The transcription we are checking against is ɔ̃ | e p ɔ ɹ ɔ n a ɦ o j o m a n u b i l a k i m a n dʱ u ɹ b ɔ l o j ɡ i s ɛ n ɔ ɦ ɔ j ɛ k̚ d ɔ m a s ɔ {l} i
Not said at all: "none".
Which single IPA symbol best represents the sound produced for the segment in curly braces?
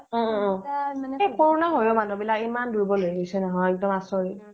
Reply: ɹ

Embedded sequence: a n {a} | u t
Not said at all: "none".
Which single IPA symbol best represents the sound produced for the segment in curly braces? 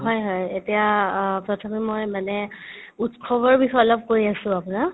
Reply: ɛ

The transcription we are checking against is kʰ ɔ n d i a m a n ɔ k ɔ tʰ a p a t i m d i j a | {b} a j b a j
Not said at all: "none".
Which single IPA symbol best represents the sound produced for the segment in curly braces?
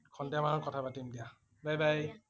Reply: b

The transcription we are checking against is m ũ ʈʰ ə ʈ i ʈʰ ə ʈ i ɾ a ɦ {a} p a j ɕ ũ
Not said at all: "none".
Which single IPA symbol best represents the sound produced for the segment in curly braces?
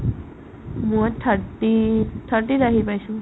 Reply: i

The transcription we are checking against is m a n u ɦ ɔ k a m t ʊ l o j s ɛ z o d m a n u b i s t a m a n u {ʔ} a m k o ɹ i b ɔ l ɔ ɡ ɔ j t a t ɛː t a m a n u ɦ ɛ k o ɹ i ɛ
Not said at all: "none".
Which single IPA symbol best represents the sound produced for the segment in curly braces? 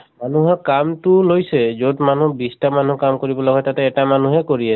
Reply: k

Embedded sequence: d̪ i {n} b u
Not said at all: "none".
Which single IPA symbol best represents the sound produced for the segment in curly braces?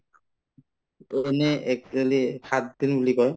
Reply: n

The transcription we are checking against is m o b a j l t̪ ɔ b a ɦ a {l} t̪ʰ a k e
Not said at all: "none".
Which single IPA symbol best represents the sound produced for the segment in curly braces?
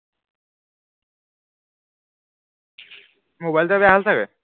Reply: l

